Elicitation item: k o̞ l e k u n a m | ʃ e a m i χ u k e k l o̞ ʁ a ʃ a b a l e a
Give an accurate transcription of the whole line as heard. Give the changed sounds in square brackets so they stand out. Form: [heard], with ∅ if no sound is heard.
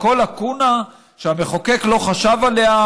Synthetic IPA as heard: k o̞ l [a] k u n a [∅] | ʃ e a m [e] χ [o] k e k l o̞ [χ] a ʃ a [v] a l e a